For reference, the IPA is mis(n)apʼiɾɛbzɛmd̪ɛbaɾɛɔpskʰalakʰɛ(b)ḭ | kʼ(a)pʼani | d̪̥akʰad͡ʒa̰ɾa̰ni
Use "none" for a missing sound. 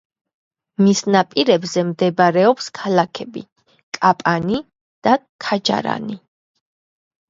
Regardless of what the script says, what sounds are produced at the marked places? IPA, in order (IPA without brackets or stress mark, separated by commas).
n, b, a